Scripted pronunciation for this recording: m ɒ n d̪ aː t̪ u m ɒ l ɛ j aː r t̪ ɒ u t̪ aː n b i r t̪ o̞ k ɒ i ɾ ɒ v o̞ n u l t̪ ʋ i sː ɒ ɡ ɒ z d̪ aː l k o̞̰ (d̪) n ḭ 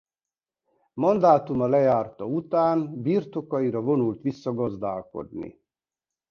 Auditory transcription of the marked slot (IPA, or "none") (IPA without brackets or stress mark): d̪